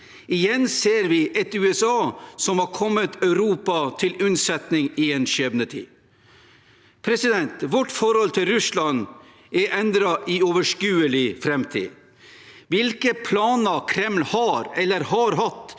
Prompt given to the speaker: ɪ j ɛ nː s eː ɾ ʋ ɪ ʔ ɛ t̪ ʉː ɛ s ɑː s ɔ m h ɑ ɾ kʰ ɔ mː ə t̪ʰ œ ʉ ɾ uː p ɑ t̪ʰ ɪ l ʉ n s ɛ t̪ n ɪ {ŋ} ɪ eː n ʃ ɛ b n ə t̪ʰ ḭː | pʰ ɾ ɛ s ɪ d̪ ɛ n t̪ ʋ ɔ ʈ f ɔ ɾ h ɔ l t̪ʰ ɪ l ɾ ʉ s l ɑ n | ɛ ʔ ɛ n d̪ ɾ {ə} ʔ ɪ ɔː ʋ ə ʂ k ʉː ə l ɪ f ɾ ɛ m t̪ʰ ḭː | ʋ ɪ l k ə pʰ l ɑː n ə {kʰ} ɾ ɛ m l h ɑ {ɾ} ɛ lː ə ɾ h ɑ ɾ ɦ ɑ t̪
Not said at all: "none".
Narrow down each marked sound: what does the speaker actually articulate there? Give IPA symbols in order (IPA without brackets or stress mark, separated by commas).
ŋ, ɑ, kʰ, ɾ